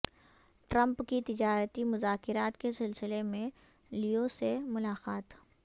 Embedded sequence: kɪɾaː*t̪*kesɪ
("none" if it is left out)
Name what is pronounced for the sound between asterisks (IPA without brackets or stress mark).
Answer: t̪